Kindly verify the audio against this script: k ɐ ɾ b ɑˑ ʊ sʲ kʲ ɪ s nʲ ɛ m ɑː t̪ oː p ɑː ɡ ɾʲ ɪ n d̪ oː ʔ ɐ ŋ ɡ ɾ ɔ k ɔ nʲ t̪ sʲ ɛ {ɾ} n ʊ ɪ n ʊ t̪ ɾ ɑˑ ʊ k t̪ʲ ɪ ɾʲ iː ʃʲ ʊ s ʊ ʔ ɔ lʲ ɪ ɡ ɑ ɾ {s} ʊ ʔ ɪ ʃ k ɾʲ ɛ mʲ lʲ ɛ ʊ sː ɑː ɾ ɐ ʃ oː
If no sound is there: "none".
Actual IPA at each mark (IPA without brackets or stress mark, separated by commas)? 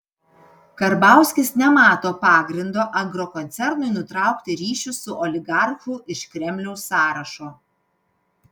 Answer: ɾ, x